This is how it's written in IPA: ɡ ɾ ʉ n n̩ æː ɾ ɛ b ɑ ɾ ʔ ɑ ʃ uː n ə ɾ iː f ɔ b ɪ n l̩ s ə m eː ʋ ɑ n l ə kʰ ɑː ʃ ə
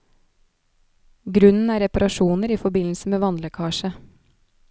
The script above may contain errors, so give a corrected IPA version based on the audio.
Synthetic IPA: ɡ ɾ ʉ n n̩ æː ɾ ɛ p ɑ ɾ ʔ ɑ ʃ uː n ə ɾ iː f ɔ b ɪ n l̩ s ə m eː ʋ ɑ n l ə kʰ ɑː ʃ ə